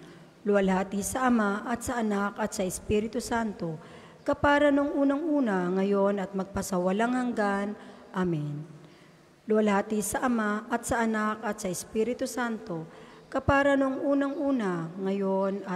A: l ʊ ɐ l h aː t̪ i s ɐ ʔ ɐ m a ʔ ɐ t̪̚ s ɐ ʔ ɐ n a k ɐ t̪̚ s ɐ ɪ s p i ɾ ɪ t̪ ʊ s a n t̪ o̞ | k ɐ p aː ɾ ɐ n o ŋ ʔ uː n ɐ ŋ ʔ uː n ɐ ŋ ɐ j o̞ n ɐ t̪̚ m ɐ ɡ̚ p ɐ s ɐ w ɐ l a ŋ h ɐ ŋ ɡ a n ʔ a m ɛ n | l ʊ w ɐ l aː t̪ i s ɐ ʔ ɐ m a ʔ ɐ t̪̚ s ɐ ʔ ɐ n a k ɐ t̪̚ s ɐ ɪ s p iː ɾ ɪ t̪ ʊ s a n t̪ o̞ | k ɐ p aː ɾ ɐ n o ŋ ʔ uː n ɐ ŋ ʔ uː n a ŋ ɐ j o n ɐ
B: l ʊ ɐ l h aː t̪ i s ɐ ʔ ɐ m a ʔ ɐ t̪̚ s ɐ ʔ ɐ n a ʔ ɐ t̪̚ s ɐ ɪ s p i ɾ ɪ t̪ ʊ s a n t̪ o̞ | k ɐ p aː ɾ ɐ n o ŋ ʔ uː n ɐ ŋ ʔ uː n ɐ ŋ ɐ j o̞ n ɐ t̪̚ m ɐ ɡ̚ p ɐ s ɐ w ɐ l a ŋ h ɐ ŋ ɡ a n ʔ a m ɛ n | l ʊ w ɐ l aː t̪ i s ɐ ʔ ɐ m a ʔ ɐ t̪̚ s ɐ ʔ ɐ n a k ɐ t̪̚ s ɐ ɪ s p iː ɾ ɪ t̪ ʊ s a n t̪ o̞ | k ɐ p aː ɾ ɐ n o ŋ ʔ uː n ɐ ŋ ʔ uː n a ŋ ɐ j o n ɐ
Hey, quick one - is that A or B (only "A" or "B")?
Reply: A